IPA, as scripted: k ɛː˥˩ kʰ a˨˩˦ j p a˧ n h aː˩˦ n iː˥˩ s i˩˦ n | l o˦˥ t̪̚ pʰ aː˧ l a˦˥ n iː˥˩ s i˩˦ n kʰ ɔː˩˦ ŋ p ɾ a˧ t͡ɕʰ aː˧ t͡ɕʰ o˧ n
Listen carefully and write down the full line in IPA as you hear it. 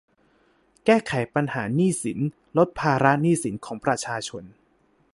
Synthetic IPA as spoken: k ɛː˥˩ kʰ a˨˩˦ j p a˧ n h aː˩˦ n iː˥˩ s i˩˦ n | l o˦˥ t̪̚ pʰ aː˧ ɾ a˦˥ n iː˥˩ s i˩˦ n kʰ ɔː˩˦ ŋ p ɾ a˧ t͡ɕʰ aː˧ t͡ɕʰ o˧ n